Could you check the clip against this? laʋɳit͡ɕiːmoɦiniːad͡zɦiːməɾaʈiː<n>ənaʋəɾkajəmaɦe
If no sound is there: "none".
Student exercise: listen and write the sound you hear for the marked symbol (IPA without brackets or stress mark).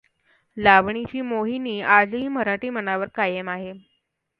m